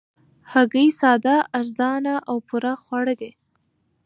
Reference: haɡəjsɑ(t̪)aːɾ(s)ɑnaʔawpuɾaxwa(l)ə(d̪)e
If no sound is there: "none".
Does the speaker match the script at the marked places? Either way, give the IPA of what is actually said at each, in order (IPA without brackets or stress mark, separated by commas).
d̪, z, ɽ, d̪